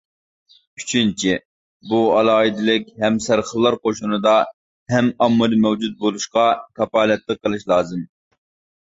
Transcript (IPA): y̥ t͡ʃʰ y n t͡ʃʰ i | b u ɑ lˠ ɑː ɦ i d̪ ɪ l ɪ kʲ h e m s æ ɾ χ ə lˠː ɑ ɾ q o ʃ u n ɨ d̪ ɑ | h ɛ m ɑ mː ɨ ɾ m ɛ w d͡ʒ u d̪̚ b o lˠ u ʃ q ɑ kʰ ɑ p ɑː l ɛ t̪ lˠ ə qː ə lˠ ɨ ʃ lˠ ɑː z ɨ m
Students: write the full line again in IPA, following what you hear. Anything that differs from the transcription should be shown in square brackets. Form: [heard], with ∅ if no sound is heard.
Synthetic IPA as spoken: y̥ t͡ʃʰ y n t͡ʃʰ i | b u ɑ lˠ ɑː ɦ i d̪ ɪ l ɪ kʲ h [ɛ] m s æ ɾ χ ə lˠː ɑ ɾ q o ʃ u n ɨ d̪ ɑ | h ɛ m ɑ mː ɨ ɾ m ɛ w d͡ʒ u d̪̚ b o lˠ u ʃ q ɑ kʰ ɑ p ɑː l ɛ t̪ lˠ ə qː ə lˠ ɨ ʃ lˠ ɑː z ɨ m